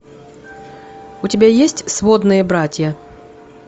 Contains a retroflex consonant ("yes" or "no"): no